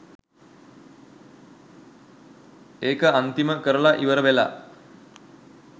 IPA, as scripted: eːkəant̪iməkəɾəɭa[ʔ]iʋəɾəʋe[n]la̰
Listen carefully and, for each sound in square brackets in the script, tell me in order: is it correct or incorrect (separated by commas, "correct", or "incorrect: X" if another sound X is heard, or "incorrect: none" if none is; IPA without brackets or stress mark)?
correct, incorrect: none